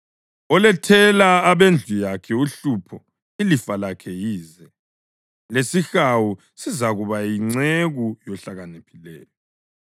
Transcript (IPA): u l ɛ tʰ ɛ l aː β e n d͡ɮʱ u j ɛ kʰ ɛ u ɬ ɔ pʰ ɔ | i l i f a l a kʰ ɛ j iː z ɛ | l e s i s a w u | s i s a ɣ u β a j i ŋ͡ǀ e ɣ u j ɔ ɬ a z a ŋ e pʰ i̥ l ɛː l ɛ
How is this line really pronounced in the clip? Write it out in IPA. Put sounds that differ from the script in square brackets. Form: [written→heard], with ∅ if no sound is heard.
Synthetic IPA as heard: [u→ɔ] l ɛ tʰ ɛ l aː β e n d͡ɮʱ u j [ɛ→a] kʰ ɛ u ɬ [ɔ→u] pʰ ɔ | i l i f a l a kʰ ɛ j iː z ɛ | l e s i [s→x] a w u | s i [s→z] a ɣ u β a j i ŋ͡ǀ e ɣ u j ɔ ɬ a [z→ɣ] a [ŋ→n] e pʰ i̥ l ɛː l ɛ